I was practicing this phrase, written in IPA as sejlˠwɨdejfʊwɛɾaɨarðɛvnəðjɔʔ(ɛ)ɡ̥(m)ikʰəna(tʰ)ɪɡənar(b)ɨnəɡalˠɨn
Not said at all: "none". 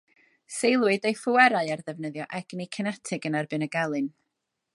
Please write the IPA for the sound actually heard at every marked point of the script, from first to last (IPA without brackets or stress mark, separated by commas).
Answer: ɛ, n, tʰ, b